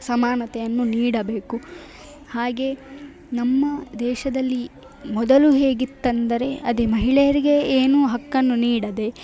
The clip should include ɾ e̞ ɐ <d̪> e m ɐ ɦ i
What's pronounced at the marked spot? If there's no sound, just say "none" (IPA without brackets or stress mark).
d̪